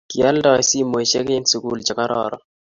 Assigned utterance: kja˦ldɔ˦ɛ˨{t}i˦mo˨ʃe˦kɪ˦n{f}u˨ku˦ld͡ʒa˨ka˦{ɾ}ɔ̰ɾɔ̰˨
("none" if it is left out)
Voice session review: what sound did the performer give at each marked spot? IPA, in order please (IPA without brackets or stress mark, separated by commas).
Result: s, s, ɾ